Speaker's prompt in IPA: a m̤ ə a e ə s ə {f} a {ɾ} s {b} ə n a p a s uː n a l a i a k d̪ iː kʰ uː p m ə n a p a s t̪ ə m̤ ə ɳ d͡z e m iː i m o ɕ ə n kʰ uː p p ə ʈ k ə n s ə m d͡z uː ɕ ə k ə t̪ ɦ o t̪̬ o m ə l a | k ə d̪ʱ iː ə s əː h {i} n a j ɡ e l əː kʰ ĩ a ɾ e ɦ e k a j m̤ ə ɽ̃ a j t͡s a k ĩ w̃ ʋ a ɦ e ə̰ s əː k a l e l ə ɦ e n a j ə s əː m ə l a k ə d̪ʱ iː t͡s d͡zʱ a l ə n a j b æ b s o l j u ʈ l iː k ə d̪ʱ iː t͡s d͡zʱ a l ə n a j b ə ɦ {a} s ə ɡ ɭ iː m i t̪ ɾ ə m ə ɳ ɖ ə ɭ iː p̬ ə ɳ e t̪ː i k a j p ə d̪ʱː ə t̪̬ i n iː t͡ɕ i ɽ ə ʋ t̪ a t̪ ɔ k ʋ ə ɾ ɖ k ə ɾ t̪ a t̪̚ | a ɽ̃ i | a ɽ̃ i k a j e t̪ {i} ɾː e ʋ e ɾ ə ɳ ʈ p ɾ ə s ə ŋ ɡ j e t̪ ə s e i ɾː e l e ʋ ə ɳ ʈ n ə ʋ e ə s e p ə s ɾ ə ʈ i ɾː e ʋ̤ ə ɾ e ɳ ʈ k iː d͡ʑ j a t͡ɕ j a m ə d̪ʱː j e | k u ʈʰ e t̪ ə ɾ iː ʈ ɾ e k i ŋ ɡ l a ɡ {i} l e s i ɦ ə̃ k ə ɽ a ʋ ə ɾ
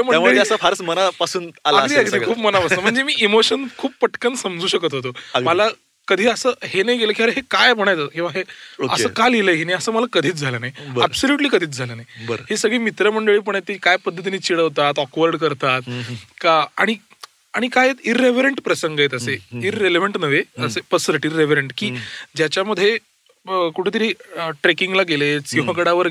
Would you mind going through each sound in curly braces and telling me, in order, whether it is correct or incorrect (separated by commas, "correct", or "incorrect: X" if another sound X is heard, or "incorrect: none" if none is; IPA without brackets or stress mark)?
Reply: correct, correct, incorrect: m, incorrect: e, incorrect: e, correct, incorrect: e